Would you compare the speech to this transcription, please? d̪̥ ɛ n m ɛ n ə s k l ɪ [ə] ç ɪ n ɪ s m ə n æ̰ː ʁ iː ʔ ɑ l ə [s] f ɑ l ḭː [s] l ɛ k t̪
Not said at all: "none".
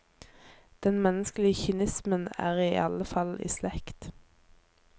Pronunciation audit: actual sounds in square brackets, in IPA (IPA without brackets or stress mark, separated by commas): ə, none, s